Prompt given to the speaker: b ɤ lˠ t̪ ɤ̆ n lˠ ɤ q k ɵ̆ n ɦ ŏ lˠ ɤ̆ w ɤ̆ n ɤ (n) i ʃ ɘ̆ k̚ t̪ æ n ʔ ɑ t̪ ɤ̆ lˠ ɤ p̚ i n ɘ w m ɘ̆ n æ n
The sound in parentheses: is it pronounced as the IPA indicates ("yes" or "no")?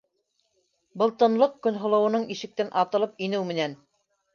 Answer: no